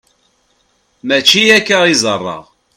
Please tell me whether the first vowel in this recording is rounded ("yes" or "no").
no